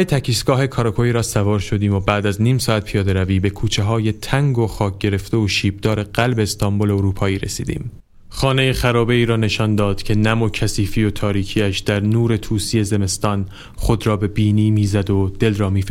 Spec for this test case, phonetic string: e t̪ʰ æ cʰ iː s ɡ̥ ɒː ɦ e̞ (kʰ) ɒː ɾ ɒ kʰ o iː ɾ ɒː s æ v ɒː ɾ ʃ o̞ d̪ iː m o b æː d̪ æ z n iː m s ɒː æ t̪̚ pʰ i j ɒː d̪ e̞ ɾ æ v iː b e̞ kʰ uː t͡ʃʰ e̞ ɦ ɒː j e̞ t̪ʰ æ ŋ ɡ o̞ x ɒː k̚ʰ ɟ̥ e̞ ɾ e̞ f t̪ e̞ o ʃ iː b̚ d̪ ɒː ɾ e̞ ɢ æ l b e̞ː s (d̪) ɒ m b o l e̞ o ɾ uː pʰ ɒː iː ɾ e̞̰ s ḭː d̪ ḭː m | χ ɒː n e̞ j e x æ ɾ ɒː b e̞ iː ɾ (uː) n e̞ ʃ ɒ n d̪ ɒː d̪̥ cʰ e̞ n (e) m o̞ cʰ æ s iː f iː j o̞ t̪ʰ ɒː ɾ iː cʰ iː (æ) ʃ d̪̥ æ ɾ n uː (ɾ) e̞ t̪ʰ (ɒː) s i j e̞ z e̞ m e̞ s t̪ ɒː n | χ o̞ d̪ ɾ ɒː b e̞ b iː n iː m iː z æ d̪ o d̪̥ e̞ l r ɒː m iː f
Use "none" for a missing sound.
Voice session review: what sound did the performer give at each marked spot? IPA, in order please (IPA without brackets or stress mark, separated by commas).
kʰ, t̪, ɒː, æ, æ, ɾ, uː